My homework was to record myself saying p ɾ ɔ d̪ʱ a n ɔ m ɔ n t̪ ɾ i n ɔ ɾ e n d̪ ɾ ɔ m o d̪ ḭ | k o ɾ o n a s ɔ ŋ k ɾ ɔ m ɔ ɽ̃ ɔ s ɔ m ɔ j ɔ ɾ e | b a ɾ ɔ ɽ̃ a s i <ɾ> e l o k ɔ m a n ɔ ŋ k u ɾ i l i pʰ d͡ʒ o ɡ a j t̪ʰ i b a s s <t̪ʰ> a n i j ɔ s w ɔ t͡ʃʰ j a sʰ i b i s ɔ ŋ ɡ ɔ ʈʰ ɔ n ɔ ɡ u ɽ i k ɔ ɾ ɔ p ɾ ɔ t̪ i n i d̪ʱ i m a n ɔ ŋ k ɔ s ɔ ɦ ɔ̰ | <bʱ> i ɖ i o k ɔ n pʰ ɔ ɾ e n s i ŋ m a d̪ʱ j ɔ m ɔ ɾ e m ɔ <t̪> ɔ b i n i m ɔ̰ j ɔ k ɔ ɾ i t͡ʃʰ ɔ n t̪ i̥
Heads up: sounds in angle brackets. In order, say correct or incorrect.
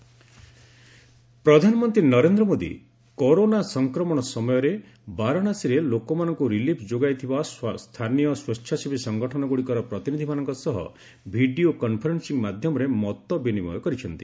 correct, correct, correct, correct

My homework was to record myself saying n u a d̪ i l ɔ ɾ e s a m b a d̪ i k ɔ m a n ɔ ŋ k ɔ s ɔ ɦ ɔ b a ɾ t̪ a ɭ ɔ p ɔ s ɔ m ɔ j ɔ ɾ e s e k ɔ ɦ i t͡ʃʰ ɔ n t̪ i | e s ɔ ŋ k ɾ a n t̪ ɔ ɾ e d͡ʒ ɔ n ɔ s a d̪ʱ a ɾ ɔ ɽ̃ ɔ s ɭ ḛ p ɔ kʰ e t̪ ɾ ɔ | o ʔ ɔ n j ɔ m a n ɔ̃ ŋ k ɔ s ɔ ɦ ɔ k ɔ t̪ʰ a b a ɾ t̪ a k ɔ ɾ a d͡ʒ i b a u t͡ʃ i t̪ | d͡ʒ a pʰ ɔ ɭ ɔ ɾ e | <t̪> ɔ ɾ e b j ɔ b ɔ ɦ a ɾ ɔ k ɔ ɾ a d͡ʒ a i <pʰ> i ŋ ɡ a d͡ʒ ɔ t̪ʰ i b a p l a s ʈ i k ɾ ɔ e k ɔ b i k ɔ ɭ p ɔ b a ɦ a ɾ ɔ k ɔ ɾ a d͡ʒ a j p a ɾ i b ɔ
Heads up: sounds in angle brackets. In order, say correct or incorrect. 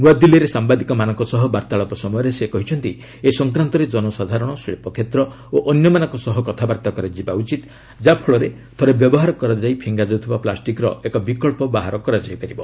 incorrect: t̪ʰ, correct

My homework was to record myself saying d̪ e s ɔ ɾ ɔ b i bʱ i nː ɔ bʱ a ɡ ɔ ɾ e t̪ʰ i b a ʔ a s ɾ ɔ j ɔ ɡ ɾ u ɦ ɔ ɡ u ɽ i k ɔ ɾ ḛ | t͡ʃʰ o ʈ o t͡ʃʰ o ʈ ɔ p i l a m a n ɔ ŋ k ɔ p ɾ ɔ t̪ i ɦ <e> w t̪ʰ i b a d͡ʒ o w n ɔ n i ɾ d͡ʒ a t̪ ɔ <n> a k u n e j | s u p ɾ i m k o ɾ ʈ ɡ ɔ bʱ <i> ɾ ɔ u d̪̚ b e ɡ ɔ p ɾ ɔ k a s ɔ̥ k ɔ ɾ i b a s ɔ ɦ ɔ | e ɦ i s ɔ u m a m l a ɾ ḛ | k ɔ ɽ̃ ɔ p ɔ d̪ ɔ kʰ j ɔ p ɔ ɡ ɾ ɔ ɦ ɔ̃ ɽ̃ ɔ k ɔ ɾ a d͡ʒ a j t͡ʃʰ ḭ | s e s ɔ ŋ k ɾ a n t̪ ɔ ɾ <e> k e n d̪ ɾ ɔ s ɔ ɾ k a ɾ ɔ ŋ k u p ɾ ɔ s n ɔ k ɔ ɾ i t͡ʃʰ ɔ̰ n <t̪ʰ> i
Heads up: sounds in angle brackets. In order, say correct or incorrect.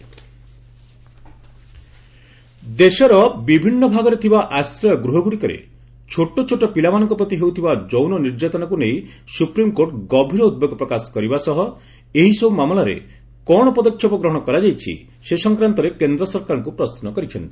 correct, correct, correct, correct, incorrect: t̪

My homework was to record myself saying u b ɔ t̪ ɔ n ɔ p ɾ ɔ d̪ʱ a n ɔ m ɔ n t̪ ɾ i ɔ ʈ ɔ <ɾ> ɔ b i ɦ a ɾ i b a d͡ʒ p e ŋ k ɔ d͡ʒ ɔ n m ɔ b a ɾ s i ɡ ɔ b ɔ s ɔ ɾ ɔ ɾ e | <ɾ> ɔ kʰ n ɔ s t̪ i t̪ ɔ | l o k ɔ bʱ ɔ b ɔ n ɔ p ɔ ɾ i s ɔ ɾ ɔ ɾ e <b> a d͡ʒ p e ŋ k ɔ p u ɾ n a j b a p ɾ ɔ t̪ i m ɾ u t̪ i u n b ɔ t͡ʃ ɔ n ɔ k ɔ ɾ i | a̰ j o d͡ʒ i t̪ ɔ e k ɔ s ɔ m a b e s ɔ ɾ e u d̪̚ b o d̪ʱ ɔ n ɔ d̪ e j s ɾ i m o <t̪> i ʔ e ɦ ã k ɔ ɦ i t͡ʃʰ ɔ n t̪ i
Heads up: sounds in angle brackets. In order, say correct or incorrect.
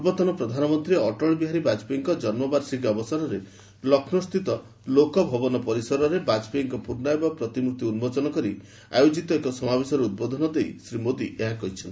incorrect: ɭ, incorrect: l, correct, incorrect: d̪

